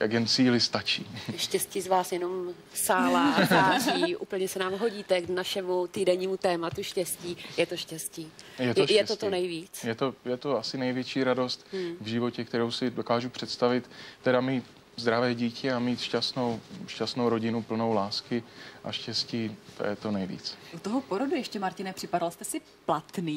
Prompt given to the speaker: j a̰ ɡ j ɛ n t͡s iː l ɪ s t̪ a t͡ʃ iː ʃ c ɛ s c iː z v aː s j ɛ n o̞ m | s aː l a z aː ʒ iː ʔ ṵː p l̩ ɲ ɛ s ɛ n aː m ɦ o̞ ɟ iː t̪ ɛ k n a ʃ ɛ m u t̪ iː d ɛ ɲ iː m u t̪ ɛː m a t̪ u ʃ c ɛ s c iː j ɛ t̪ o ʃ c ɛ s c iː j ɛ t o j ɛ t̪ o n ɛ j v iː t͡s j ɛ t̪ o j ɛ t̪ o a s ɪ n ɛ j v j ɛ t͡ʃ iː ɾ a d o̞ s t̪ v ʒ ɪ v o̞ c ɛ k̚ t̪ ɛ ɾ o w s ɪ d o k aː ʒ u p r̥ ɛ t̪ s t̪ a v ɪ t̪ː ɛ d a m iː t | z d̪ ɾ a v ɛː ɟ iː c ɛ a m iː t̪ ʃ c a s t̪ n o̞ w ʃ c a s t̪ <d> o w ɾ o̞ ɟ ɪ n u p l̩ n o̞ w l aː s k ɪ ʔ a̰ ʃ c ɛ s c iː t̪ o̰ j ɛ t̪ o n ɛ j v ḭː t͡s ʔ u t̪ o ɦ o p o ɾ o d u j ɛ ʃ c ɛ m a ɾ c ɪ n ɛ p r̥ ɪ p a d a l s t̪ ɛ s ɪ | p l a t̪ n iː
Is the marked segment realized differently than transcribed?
yes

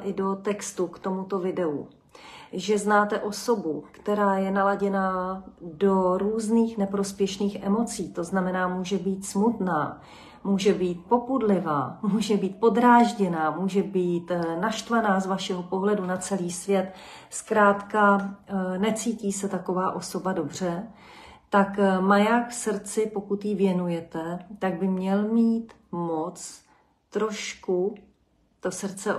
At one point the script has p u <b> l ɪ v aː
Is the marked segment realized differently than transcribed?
yes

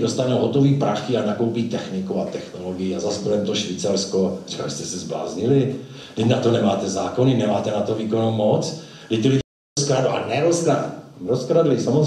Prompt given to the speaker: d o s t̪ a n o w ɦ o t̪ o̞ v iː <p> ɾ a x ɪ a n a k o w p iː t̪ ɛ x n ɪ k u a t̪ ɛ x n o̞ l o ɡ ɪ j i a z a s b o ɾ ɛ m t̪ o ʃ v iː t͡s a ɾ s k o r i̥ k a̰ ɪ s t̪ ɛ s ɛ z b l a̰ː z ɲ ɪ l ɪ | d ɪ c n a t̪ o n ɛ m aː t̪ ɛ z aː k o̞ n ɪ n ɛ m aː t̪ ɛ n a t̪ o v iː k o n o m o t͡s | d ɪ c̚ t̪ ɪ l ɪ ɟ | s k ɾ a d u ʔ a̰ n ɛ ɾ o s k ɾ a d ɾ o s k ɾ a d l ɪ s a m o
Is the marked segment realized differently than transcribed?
no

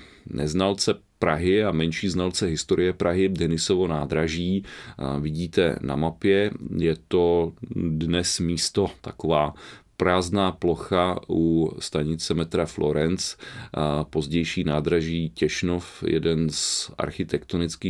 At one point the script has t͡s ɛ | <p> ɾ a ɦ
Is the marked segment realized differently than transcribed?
no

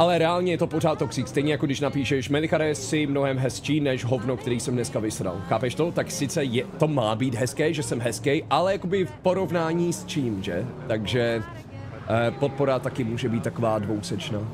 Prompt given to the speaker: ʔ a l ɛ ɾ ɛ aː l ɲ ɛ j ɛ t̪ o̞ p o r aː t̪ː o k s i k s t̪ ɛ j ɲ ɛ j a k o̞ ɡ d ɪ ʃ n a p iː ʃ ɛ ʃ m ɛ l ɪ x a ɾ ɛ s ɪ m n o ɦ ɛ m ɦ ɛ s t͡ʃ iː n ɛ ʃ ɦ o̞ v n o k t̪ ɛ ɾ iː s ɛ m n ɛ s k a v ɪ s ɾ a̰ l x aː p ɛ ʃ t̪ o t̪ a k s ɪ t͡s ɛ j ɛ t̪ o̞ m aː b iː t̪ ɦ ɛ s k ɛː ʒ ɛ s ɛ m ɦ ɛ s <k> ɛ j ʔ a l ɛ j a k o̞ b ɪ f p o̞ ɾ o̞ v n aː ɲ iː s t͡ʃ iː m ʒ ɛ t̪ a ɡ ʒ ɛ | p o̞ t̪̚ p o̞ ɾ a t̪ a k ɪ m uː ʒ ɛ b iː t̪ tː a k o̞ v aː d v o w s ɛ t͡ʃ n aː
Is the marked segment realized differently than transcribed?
no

